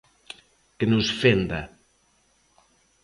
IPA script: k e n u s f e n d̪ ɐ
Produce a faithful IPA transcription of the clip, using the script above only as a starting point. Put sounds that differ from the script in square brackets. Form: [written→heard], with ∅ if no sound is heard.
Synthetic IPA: k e n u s f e n d̪ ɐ